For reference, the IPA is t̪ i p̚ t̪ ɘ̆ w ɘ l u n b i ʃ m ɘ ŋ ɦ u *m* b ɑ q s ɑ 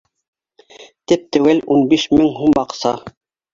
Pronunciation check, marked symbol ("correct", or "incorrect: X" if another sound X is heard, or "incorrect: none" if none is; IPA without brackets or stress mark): correct